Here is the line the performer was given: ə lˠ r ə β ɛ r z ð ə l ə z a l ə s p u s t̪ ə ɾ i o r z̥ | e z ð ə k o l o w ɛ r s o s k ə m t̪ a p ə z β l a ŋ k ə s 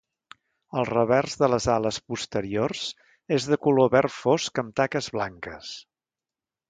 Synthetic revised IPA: ə lˠ r ə β ɛ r z ð ə l ə z a l ə s p u s t̪ ə ɾ i o r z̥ | e z ð ə k u l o β ɛ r f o s k ə m t̪ a k ə z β l a ŋ k ə s